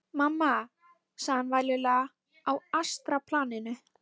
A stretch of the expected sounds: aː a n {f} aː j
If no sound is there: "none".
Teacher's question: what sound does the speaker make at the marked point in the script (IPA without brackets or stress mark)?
v